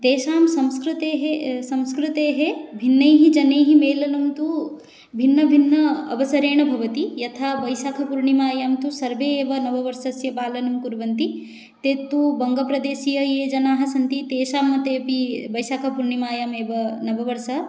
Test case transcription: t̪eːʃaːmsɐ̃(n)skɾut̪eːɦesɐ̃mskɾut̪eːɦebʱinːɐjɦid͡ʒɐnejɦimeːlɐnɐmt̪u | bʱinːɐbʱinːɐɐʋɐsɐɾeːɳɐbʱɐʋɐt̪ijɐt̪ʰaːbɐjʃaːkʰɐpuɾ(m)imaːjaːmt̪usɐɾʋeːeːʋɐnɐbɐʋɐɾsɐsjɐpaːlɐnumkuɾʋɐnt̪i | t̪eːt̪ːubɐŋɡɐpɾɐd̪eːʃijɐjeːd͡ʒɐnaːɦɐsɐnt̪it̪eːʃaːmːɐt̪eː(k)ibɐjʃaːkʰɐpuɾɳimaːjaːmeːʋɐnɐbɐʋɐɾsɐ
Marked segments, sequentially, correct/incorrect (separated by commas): incorrect, incorrect, incorrect